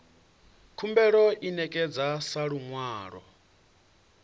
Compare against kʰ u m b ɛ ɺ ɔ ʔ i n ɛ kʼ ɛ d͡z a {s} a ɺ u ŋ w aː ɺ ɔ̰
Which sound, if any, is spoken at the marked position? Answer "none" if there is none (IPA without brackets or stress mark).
s